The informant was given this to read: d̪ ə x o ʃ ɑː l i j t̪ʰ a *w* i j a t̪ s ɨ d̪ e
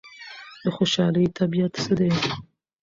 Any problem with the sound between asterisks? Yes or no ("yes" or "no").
yes